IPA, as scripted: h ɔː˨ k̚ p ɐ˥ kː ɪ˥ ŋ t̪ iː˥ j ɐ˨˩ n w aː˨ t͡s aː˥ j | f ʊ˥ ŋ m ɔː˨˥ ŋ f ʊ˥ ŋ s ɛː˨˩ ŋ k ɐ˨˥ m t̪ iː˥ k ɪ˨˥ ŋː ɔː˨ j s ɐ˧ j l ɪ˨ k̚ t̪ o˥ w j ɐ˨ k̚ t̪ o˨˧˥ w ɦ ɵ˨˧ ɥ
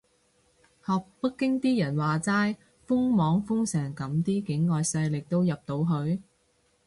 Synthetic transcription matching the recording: h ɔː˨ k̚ p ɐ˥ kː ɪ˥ ŋ t̪ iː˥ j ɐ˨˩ n w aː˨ t͡s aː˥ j | f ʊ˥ ŋ m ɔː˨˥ ŋ f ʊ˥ ŋ s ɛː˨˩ ŋ k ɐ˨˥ m t̪ iː˥ k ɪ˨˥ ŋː ɔː˨ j s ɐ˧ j l ɪ˨ k̚ t̪ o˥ w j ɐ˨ p̚ t̪ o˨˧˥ w ɦ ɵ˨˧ ɥ